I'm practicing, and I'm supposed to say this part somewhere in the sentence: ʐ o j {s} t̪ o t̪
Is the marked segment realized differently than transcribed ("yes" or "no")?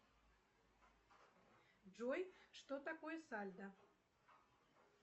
yes